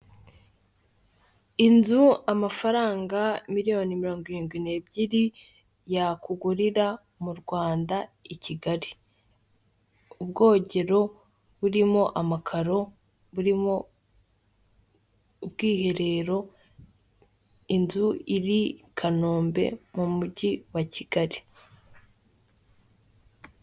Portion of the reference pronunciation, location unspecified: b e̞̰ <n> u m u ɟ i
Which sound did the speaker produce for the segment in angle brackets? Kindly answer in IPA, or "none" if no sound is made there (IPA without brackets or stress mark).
m